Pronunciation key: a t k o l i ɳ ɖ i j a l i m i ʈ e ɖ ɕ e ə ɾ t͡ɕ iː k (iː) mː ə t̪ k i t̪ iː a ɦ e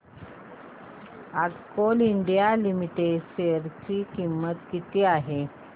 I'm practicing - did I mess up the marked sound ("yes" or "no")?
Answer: yes